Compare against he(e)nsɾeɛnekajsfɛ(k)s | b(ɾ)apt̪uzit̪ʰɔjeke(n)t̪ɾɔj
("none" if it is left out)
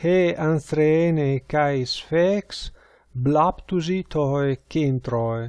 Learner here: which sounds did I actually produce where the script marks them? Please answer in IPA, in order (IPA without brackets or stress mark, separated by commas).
a, k, l, n